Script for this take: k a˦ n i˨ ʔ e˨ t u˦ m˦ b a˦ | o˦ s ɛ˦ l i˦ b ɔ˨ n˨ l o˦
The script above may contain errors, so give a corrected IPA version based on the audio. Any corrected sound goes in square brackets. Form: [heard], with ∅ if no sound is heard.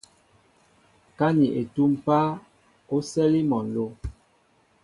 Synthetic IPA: k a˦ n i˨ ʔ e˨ t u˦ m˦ [p] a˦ | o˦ s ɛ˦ l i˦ [m] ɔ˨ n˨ l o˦